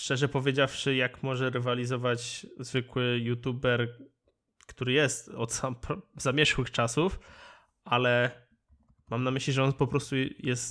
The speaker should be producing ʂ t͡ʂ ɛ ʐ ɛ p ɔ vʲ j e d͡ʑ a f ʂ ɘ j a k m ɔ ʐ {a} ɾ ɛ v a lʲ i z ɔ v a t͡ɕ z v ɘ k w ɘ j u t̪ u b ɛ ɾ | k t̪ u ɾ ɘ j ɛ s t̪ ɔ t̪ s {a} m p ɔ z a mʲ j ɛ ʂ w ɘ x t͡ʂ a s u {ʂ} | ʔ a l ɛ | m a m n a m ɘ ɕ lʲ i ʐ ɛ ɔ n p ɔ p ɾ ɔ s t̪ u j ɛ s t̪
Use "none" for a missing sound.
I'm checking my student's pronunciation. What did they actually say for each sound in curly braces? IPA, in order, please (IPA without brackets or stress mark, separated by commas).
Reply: ɛ, a, f